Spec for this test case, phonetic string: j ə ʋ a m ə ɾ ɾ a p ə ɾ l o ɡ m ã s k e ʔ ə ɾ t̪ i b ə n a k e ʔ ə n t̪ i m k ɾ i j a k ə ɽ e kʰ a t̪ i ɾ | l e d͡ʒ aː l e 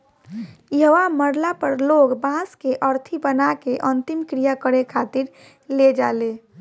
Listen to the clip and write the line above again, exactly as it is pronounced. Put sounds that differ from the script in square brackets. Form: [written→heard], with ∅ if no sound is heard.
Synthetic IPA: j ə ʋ a m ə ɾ [ɾ→l] a p ə ɾ l o ɡ [m→b] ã s k e ʔ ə ɾ [t̪→t̪ʰ] i b ə n a k e ʔ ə n t̪ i m k ɾ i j a k ə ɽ e kʰ a t̪ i ɾ | l e d͡ʒ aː l e